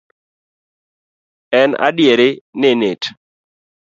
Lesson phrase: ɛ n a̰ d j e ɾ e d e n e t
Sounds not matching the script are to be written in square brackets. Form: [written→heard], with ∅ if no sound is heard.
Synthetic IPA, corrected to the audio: ɛ n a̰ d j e ɾ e [d→n] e n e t